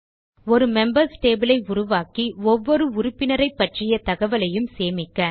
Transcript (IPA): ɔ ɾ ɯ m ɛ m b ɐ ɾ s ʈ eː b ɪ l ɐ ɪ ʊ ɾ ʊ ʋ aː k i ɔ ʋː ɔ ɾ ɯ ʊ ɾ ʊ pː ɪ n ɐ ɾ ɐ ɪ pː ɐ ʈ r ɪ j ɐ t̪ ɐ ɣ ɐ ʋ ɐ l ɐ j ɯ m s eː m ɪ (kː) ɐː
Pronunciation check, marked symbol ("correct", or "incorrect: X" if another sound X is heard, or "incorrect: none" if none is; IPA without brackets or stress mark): correct